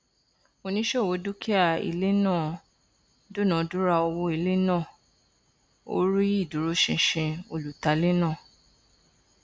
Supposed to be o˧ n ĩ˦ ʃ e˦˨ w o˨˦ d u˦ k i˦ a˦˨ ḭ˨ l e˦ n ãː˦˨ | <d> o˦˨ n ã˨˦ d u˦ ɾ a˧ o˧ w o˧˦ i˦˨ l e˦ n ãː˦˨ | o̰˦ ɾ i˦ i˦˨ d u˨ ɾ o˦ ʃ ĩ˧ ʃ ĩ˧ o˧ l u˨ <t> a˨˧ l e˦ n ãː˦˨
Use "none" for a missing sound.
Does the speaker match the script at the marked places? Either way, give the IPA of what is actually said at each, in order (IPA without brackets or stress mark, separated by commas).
d, t